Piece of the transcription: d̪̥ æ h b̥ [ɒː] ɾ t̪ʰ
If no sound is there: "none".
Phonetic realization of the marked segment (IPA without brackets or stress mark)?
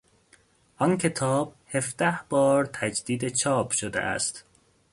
ɒː